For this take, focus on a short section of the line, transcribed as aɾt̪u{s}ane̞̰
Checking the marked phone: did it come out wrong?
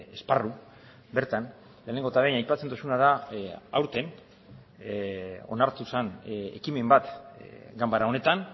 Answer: no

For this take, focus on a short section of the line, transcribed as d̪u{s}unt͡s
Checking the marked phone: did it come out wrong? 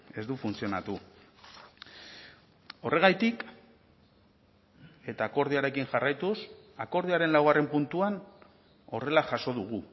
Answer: yes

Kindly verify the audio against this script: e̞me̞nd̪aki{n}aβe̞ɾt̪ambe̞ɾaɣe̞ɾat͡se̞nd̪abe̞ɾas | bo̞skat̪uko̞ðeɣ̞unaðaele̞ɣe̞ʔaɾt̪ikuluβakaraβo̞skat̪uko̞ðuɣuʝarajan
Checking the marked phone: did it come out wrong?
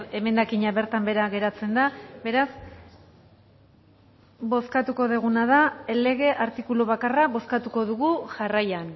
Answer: yes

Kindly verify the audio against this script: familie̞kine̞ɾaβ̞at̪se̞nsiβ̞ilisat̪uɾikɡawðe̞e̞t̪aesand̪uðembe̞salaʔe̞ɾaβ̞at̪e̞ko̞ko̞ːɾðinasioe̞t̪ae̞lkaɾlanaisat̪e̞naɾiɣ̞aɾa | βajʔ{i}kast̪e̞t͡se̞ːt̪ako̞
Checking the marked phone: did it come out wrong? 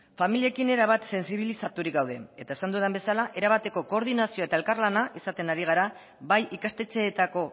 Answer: no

